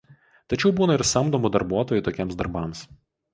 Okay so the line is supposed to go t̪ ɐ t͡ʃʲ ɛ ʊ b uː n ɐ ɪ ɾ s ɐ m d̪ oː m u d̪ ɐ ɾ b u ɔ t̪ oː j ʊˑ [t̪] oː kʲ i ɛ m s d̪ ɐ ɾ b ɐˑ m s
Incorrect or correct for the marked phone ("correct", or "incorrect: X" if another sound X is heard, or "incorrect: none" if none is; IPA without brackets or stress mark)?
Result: correct